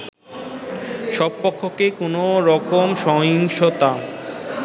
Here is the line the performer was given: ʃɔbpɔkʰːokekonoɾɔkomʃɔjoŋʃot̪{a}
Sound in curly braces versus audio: correct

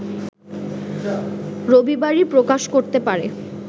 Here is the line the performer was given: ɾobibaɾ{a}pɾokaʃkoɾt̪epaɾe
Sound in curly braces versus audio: incorrect: i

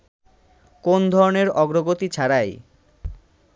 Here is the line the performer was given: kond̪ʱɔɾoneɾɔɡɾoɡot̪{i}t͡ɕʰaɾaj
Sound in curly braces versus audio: correct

